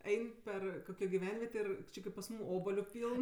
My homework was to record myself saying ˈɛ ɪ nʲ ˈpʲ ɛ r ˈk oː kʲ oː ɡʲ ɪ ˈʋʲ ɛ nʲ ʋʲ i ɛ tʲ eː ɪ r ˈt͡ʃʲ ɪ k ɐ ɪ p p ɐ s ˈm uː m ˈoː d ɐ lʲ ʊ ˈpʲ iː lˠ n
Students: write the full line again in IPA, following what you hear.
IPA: ˈɛ ɪ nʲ ˈpʲ ɛ r ˈk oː kʲ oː ɡʲ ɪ ˈʋʲ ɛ nʲ ʋʲ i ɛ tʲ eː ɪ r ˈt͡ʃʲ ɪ k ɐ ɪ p p ɐ s ˈm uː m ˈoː b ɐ lʲ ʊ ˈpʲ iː lˠ n